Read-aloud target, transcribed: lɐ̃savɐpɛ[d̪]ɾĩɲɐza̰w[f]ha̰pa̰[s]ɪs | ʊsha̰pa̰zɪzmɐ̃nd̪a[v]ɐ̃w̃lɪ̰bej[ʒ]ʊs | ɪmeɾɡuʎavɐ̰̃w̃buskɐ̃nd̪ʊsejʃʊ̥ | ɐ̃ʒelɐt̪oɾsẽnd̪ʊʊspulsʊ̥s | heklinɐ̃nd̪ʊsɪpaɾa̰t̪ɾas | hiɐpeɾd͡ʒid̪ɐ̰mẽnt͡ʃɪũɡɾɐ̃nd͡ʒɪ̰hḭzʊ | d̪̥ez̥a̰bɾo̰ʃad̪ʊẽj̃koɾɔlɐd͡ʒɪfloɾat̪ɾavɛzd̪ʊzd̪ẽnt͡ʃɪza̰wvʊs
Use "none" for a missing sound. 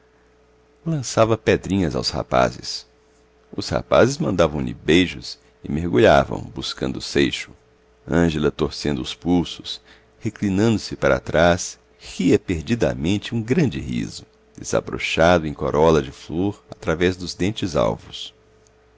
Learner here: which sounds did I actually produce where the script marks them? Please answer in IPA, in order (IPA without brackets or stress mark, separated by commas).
d̪, s, z, v, ʒ